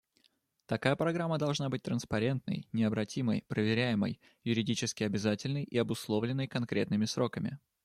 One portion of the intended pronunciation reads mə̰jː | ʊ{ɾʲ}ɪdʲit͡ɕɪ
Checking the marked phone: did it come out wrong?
no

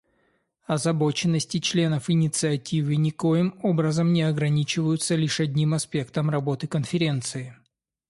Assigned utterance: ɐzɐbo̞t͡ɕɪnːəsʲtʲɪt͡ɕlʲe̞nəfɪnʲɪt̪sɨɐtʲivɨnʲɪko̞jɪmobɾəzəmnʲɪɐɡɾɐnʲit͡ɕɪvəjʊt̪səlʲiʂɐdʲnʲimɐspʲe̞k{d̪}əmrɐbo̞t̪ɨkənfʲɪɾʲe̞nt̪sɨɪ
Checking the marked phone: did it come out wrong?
yes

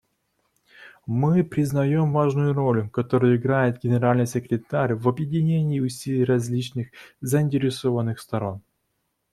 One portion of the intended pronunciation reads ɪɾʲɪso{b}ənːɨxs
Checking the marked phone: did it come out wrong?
yes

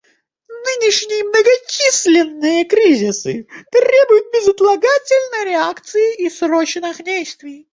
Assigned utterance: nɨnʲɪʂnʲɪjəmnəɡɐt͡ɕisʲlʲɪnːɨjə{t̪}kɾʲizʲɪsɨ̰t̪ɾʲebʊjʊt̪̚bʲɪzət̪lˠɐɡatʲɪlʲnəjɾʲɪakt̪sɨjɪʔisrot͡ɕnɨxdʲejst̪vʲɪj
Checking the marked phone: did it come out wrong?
yes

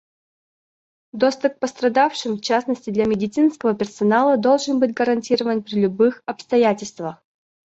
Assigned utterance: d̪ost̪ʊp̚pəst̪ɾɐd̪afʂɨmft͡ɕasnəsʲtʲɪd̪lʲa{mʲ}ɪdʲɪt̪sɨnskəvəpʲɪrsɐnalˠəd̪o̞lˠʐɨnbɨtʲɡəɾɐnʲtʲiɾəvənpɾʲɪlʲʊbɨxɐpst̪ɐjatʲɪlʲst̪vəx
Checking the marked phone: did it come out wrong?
no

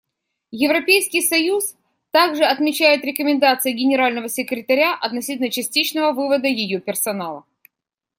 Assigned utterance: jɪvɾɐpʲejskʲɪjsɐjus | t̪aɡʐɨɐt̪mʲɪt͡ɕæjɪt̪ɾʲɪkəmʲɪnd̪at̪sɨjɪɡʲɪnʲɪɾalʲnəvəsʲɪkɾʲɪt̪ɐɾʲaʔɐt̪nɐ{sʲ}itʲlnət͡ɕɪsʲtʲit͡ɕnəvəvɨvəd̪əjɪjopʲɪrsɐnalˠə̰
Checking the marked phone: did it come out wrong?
no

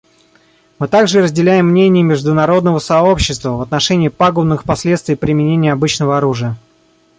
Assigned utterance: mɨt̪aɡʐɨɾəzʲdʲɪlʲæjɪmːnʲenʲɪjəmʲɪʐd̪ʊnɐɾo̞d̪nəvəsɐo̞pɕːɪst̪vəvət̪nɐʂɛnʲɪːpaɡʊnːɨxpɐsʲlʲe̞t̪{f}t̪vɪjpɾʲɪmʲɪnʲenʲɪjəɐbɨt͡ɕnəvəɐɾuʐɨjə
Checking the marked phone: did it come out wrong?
yes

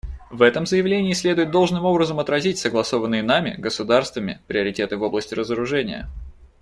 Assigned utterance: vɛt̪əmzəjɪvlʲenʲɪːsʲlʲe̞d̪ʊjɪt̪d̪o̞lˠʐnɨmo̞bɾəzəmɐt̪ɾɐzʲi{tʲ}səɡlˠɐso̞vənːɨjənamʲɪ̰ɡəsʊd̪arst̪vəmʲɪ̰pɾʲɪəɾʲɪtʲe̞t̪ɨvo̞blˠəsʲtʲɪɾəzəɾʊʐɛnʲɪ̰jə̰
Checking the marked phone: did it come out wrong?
no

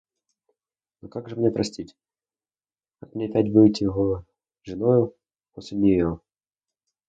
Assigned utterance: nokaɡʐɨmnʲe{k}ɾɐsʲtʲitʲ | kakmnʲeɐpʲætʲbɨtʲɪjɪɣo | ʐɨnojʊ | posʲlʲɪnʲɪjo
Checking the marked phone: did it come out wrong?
yes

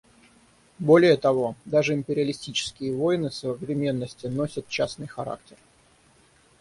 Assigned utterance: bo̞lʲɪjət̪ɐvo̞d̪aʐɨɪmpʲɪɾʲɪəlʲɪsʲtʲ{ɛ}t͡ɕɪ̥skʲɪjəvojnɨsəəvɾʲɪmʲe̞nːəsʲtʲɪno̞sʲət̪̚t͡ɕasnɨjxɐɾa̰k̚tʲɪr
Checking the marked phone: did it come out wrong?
yes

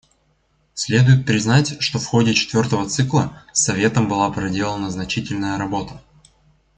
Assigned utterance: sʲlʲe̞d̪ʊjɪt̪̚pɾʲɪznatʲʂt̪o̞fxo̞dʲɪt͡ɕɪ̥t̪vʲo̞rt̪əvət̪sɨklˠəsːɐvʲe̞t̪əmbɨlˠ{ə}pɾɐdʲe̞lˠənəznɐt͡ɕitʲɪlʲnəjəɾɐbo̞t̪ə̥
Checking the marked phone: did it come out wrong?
yes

